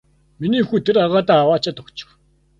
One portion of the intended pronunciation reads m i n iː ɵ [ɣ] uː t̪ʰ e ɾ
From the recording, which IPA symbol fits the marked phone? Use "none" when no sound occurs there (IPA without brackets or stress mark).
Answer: x